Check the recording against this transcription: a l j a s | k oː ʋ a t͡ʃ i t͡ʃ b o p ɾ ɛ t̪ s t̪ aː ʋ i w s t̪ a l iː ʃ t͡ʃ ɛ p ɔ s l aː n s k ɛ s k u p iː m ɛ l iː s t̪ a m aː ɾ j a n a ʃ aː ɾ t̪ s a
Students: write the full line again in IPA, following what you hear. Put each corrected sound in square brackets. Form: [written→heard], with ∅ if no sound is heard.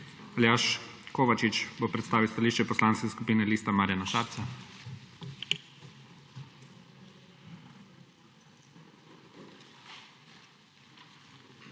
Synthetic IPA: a l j a [s→ʃ] | k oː ʋ a t͡ʃ i t͡ʃ b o p ɾ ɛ t̪ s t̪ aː ʋ i w s t̪ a l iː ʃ t͡ʃ ɛ p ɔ s l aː n s k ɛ s k u p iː [m→n] ɛ l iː s t̪ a m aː ɾ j a n a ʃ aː ɾ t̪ s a